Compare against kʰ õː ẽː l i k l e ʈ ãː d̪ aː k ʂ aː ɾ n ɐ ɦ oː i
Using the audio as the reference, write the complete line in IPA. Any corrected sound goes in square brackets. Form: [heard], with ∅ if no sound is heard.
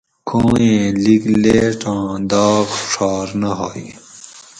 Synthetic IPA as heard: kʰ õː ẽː l i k l e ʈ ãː d̪ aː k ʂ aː ɾ n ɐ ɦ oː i